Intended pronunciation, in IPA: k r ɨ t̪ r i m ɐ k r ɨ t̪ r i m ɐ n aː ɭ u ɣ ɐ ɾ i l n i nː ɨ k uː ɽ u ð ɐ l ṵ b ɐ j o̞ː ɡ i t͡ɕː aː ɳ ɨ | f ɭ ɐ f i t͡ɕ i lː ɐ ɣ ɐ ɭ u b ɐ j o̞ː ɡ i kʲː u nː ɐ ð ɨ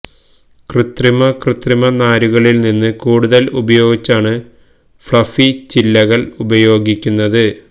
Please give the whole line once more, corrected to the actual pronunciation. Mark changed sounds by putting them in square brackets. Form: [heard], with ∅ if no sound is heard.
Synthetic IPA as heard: k r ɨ t̪ r i m ɐ k r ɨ t̪ r i m ɐ n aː [ɾ] u ɣ ɐ [ɭ] i l n i nː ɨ k uː ɽ u ð ɐ l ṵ b ɐ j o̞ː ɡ i t͡ɕː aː ɳ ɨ | f ɭ ɐ f i t͡ɕ i lː ɐ ɣ ɐ ɭ u b ɐ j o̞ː ɡ i kʲː u nː ɐ ð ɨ

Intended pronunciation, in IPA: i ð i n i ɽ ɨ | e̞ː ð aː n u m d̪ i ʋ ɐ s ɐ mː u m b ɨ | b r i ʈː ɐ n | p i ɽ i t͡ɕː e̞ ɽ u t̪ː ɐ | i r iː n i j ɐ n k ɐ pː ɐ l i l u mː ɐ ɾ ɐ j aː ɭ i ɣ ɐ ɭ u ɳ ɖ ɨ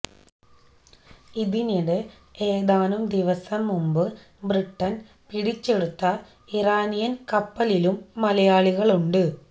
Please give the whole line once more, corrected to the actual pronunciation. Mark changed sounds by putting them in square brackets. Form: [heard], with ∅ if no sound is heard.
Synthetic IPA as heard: i ð i n i ɽ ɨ | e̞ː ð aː n u m d̪ i ʋ ɐ s ɐ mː u m b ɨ | b r i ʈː ɐ n | p i ɽ i t͡ɕː e̞ ɽ u t̪ː ɐ | i r [aː] n i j ɐ n k ɐ pː ɐ l i l u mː ɐ [l] ɐ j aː ɭ i ɣ ɐ ɭ u ɳ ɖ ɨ

